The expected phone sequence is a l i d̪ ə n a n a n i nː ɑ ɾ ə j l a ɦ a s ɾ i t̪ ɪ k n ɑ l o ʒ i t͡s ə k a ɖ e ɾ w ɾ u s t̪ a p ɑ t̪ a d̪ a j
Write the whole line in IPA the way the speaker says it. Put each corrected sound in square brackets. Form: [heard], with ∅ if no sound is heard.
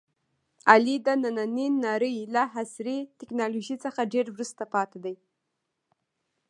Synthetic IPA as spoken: a l i d̪ ə n a n a n i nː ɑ ɾ ə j l a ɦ a s ɾ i t̪ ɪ k n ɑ l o ʒ i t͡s ə [x] a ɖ e ɾ w ɾ u s t̪ a p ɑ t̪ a d̪ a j